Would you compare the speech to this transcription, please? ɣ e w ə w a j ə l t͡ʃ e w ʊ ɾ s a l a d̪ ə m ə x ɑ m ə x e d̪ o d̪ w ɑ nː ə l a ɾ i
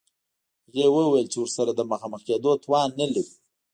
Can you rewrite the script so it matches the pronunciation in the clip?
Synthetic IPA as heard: ɣ e w ə w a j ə l t͡ʃ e w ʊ ɾ s a ɾ a d̪ ə m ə x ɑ m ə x e d̪ o t̪ w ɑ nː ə l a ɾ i